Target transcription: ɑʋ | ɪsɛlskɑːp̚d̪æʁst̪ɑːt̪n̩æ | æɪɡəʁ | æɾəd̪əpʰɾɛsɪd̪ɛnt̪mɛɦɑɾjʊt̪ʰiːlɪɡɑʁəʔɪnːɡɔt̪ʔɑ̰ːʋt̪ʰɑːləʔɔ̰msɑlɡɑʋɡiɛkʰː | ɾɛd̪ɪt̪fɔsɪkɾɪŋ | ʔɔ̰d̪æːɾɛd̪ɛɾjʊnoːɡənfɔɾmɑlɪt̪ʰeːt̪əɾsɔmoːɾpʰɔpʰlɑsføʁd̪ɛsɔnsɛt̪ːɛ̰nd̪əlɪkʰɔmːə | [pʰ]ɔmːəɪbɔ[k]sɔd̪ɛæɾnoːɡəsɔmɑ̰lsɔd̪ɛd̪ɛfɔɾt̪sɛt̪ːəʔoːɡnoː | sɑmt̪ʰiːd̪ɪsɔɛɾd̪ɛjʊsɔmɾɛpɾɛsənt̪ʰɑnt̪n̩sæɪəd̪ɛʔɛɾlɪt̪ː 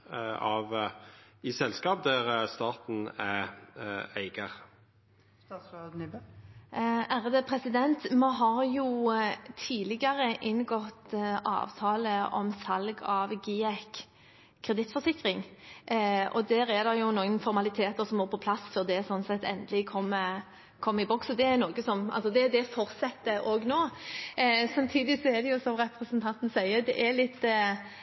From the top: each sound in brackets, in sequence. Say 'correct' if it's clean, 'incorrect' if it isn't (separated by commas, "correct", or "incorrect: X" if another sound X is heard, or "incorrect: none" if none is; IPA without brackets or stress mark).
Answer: incorrect: kʰ, correct